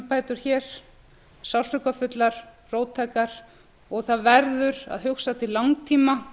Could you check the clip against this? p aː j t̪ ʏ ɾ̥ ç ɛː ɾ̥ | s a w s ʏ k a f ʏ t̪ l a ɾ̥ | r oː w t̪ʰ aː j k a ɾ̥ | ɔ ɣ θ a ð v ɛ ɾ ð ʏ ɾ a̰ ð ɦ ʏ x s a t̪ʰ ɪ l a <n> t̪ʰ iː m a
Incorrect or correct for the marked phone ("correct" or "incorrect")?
incorrect